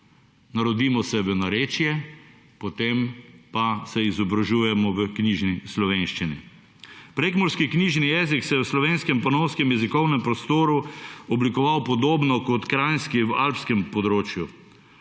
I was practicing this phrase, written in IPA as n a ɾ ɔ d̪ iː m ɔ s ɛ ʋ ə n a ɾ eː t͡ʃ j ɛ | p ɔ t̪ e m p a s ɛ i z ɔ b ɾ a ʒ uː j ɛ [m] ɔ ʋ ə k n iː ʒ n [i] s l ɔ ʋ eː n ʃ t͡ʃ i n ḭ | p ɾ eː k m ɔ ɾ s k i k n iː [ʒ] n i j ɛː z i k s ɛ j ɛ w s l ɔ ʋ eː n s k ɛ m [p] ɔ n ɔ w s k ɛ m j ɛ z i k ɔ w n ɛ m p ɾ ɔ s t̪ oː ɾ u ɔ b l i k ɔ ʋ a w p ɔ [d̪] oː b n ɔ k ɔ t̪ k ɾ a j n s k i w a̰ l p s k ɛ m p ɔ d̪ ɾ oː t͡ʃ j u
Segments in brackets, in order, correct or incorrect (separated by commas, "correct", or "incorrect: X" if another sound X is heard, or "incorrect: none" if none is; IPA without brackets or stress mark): correct, correct, correct, correct, correct